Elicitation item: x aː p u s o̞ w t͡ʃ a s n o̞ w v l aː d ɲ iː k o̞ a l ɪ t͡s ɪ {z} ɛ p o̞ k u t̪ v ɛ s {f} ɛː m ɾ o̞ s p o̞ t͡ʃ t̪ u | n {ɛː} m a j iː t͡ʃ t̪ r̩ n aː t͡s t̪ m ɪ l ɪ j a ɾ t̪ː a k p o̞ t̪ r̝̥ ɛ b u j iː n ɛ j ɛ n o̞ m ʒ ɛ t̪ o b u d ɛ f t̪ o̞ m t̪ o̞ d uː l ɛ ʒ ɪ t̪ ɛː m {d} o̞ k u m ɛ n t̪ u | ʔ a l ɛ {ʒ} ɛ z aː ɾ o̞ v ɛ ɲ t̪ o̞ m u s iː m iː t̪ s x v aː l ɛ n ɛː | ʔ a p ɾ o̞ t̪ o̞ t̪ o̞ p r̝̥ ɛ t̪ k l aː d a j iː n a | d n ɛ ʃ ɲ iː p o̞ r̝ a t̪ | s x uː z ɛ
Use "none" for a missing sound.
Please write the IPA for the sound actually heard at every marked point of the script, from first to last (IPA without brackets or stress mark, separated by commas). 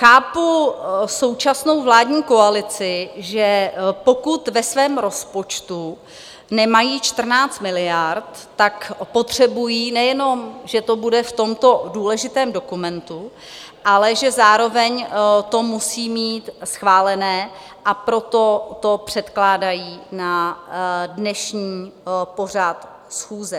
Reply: ʒ, v, ɛ, d, ʒ